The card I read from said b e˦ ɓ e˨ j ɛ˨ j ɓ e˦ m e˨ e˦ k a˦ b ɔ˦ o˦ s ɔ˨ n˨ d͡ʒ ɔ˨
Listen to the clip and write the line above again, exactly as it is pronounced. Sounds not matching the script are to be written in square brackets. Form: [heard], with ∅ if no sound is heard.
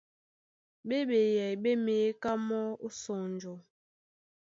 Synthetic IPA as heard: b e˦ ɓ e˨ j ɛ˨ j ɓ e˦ m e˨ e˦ k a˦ [m] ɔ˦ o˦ s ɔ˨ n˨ d͡ʒ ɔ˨